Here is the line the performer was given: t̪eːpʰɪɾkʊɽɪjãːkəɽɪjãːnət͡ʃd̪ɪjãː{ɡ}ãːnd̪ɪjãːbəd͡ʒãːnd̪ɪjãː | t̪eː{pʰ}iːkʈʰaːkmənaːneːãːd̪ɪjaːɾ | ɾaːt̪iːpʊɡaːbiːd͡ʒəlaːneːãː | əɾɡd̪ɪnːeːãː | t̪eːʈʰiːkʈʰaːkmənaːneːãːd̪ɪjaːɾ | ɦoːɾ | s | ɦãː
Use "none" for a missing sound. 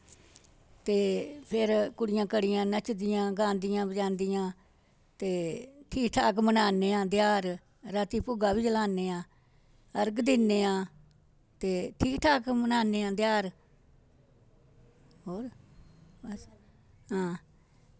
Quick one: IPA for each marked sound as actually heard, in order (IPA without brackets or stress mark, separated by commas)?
ɡ, ʈʰ